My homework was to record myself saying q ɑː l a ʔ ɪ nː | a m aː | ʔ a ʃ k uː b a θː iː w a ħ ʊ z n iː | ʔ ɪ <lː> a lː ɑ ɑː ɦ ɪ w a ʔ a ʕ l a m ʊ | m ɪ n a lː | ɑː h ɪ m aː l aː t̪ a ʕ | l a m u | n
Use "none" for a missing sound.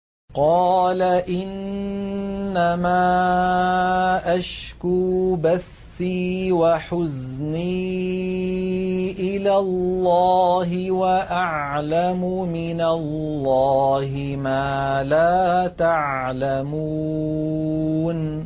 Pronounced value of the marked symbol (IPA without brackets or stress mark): l